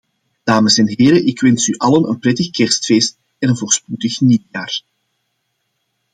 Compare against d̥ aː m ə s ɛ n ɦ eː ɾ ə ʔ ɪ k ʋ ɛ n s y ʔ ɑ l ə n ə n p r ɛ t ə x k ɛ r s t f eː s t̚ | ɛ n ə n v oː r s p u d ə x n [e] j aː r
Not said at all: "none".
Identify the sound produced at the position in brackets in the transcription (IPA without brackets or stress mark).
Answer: i